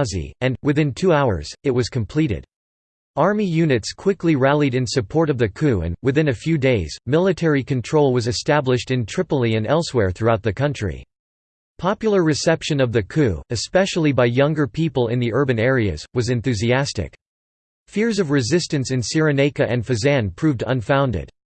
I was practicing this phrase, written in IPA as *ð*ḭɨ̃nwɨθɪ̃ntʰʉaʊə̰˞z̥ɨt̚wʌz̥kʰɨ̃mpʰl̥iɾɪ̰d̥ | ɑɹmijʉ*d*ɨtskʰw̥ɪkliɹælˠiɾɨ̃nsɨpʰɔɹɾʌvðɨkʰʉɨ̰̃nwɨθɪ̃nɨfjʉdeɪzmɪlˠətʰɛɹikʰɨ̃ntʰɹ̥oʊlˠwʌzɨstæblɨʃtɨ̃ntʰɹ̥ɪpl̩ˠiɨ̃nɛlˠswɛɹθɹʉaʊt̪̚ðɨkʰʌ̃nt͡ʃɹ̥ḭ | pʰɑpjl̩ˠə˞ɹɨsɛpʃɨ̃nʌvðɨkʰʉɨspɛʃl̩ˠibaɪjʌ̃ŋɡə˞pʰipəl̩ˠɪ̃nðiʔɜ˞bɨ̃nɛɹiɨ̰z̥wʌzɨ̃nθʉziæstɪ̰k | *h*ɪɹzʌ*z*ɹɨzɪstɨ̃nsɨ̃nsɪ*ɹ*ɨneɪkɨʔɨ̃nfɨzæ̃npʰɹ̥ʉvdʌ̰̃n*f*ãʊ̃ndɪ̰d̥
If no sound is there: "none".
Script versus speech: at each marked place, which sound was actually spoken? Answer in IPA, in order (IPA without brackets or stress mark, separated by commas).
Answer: z, n, f, v, ɹ, f